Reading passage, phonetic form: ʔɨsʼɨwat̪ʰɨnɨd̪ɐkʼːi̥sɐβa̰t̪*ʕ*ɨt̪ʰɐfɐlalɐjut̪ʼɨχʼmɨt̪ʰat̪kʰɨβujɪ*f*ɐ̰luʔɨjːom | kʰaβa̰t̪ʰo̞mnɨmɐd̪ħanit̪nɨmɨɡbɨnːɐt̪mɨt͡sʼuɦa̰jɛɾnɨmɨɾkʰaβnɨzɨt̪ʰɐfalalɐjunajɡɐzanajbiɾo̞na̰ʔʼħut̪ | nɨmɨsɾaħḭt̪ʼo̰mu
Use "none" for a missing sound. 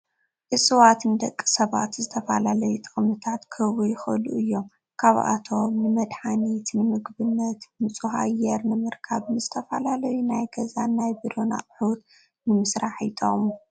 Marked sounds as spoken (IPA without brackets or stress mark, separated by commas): z, x